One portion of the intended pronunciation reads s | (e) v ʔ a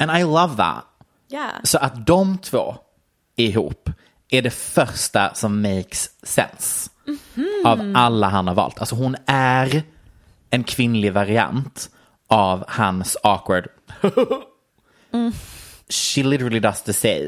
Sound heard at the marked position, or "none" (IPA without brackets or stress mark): a